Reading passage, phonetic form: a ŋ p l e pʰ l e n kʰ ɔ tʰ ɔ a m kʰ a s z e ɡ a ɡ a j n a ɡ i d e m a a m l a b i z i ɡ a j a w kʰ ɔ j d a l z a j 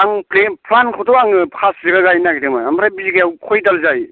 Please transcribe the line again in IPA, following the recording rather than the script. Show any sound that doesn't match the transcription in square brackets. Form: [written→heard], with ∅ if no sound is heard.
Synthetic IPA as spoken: a ŋ p l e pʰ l [e→a] n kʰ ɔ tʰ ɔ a [m→ŋ] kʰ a s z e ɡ a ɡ a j n a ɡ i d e m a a m [l→ɾ] a b i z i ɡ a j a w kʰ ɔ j d a l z a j

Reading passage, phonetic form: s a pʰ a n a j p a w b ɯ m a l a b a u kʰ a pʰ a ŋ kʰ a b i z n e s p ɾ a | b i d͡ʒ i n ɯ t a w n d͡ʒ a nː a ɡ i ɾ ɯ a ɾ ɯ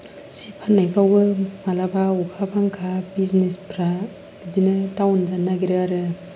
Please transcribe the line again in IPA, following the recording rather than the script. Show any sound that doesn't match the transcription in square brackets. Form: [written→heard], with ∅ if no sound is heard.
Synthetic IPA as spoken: s [a→i] pʰ a n a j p a w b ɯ m a l a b a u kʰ a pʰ a ŋ kʰ a b i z n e s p ɾ a | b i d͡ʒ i n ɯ t a w n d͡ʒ a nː a ɡ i ɾ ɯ a ɾ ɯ

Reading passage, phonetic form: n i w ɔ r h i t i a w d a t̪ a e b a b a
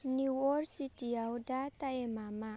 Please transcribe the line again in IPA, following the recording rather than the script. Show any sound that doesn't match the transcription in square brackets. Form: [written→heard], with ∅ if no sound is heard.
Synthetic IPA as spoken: n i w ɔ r [h→s] i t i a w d a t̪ a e [b→m] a [b→m] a

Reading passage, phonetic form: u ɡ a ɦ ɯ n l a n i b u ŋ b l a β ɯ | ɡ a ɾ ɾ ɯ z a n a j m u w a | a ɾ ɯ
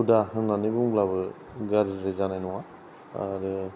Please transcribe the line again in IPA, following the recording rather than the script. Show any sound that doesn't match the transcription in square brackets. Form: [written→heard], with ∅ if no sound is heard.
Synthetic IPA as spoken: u [ɡ→d] a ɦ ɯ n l a n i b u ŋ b l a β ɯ | ɡ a ɾ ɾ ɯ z a n a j [m→n] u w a | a ɾ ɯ

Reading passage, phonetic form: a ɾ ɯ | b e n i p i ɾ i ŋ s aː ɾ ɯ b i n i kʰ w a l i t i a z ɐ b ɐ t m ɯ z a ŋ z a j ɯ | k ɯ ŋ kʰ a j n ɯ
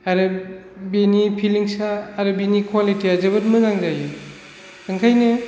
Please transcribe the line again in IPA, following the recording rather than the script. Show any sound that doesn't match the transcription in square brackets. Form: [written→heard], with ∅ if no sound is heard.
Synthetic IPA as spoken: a ɾ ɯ | b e n i [p→pʰ] i [ɾ→l] i ŋ s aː ɾ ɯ b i n i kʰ w a l i t i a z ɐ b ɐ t m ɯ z a ŋ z a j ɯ | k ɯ ŋ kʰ a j n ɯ

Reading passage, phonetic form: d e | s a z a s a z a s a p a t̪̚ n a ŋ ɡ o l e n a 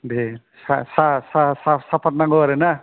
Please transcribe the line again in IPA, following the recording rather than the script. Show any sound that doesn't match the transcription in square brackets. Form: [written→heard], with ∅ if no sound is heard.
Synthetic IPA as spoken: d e | s a [z→s] a s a [z→s] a s a p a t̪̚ n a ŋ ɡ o [l→ɾ] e n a

